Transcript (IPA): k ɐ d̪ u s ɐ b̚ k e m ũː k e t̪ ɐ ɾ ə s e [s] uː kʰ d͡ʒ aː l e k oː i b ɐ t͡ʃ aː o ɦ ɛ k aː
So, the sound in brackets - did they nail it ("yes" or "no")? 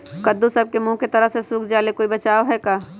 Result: yes